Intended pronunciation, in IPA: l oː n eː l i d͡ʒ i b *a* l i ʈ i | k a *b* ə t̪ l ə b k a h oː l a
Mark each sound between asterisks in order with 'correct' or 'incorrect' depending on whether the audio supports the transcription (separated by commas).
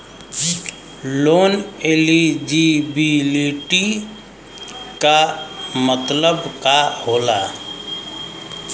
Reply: incorrect, incorrect